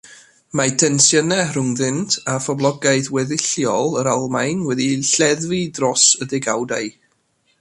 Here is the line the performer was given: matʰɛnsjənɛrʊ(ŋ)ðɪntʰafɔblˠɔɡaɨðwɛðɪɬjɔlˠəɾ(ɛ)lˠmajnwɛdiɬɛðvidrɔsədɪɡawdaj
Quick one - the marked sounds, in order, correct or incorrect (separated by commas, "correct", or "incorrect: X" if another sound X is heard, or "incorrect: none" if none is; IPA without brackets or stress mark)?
correct, incorrect: a